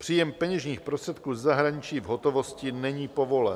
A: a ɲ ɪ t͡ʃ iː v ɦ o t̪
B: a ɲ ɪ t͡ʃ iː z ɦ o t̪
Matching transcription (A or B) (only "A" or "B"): A